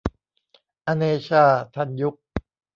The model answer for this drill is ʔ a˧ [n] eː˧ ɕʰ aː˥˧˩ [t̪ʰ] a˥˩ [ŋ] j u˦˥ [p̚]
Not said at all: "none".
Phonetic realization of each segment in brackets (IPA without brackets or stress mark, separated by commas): n, t̪ʰ, n, k̚